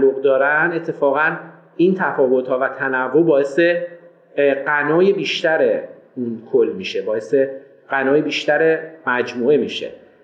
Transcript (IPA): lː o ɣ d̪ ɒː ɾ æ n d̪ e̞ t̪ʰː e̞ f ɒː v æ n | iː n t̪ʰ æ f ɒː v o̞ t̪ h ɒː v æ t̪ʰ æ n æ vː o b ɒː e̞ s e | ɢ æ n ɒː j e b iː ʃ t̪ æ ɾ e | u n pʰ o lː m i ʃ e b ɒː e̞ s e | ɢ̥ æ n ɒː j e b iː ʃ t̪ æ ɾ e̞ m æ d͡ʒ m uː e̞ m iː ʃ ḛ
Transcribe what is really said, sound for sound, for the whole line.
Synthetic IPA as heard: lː o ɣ d̪ ɒː ɾ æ n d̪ e̞ t̪ʰː e̞ f ɒː ɣ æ n | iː n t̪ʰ æ f ɒː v o̞ t̪ h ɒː v æ t̪ʰ æ n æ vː o b ɒː e̞ s e | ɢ æ n ɒː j e b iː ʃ t̪ æ ɾ e | u n kʰ o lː m i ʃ e b ɒː e̞ s e | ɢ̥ æ n ɒː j e b iː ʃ t̪ æ ɾ e̞ m æ d͡ʒ m uː e̞ m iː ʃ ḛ